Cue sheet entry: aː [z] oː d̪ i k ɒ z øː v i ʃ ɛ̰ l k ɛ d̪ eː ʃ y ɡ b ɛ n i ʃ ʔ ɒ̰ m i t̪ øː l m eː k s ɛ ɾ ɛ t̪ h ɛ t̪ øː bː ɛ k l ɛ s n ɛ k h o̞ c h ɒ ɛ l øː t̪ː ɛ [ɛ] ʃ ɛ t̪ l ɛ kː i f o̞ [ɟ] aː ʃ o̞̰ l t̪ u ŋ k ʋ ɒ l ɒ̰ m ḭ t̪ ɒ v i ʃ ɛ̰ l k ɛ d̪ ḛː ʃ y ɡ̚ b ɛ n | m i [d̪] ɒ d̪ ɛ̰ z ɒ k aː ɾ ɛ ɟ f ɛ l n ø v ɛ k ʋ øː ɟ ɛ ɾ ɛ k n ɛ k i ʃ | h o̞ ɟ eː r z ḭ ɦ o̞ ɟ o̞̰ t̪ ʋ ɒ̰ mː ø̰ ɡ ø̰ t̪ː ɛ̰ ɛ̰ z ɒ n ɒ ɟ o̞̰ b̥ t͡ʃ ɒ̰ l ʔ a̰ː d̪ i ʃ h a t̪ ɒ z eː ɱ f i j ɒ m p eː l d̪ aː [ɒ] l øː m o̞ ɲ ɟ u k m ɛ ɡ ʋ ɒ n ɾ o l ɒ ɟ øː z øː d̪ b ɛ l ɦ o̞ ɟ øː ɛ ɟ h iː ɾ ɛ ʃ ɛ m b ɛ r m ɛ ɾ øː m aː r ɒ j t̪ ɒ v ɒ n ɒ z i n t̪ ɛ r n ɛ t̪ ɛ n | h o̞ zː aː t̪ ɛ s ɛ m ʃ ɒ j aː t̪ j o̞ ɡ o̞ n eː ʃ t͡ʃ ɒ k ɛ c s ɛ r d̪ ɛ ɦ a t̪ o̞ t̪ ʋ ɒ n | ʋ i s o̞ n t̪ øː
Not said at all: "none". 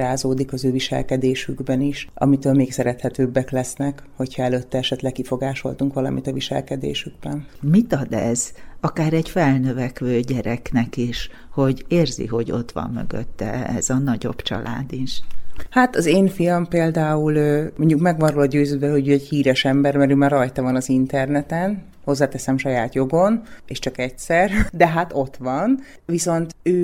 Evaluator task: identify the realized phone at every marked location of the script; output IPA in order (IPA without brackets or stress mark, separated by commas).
z, ɛ, ɡ, t̪, u